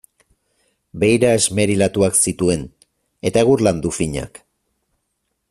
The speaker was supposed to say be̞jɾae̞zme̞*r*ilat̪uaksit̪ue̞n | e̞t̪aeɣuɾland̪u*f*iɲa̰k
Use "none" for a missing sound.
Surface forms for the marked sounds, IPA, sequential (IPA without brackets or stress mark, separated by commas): ɾ, f